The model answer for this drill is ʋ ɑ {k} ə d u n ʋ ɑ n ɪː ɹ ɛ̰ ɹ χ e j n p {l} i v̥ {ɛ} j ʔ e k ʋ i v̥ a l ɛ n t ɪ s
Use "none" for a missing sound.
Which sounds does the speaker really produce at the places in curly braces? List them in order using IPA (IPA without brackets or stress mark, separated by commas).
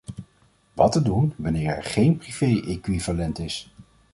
t, r, e